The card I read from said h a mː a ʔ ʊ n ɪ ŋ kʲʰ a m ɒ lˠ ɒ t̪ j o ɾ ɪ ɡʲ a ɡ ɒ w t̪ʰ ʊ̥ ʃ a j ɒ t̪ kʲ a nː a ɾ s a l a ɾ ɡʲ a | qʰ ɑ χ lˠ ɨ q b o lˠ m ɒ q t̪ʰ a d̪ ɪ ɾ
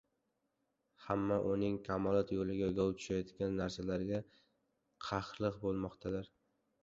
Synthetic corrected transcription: h a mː a ʔ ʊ n ɪ ŋ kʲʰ a m ɒ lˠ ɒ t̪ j o l ɪ ɡʲ a ɡ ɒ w t̪ʰ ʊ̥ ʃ a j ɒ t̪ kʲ a nː a ɾ s a l a ɾ ɡʲ a | qʰ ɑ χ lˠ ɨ q b o lˠ m ɒ q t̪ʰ a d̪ ɪ ɾ

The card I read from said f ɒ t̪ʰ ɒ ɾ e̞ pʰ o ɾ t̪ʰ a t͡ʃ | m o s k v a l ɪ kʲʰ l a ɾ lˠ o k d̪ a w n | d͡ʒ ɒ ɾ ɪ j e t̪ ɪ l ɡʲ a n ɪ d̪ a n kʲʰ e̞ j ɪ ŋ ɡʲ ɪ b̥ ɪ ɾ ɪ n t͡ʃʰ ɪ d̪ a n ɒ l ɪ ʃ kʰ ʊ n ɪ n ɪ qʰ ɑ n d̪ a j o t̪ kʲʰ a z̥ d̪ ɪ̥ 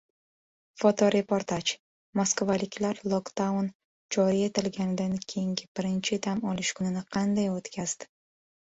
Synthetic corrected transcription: f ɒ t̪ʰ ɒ ɾ e̞ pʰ o ɾ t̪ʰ a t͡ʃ | m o s k v a l ɪ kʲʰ l a ɾ lˠ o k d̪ a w n | d͡ʒ ɒ ɾ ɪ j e t̪ ɪ l ɡʲ a n ɪ d̪ a n kʲʰ e̞ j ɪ ŋ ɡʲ ɪ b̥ ɪ ɾ ɪ n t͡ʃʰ ɪ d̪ a m ɒ l ɪ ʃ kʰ ʊ n ɪ n ɪ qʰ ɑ n d̪ a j o t̪ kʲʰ a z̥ d̪ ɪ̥

